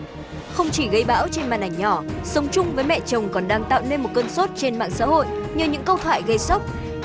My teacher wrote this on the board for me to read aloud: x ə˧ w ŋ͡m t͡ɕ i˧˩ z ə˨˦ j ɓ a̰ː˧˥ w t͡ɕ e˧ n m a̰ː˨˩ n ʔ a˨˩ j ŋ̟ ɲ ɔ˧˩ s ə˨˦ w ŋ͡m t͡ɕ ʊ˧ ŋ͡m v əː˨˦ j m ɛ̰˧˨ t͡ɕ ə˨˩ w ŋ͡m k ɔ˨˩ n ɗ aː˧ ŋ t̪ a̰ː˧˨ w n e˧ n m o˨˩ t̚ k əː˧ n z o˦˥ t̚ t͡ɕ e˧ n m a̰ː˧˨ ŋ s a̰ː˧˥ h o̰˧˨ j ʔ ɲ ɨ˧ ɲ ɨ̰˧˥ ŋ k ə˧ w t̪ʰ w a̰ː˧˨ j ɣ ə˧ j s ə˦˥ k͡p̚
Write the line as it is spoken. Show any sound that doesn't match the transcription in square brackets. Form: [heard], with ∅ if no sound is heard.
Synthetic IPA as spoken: x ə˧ w ŋ͡m t͡ɕ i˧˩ [ɣ] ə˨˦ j ɓ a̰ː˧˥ w t͡ɕ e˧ n m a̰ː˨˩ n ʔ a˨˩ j ŋ̟ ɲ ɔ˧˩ s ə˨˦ w ŋ͡m t͡ɕ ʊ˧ ŋ͡m v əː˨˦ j m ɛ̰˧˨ t͡ɕ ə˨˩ w ŋ͡m k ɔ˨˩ n ɗ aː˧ ŋ t̪ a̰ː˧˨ w n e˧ n m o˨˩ t̚ k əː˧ n [s] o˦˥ t̚ t͡ɕ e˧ n m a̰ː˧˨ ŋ s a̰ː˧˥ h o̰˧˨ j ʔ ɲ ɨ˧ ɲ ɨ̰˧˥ ŋ k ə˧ w t̪ʰ w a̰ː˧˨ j ɣ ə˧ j s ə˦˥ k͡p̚